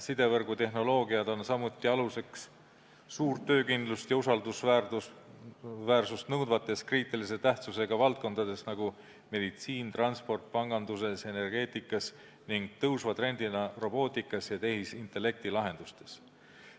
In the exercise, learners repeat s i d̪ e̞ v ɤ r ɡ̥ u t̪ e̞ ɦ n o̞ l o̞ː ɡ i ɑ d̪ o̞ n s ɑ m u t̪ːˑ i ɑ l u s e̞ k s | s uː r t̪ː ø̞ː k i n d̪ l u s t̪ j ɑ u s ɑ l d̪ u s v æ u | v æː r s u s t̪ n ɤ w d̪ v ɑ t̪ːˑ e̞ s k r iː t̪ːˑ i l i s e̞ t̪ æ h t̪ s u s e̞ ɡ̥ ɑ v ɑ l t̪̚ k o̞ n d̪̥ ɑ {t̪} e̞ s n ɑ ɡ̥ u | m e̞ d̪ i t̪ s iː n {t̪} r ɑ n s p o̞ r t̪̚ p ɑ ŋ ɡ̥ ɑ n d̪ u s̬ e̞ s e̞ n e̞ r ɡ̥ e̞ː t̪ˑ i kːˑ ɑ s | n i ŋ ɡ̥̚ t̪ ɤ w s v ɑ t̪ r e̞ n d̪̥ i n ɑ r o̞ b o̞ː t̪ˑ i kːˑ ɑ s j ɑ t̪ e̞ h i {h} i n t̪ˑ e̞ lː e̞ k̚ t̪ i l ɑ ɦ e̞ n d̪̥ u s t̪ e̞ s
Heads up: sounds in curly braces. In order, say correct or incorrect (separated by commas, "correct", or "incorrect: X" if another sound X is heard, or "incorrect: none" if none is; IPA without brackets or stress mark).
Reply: incorrect: d̪, correct, incorrect: s